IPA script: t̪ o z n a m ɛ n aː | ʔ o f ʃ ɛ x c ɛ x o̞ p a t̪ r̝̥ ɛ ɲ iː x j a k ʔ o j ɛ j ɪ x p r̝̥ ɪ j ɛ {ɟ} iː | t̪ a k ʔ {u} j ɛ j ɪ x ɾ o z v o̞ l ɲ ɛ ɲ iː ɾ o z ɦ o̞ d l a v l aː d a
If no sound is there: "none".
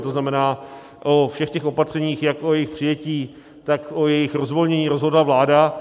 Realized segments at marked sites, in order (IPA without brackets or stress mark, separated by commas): c, o